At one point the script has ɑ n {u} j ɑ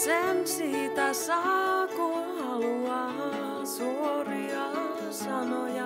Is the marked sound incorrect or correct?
incorrect